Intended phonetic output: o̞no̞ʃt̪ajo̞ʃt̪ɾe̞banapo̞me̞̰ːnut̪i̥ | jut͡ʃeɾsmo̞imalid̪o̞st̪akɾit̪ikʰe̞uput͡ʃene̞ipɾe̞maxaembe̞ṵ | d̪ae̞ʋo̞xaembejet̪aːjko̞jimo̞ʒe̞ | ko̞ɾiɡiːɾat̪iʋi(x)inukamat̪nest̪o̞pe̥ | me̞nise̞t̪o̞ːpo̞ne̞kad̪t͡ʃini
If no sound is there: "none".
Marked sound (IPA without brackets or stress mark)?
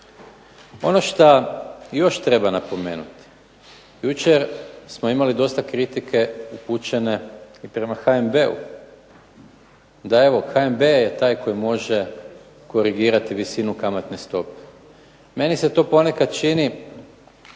s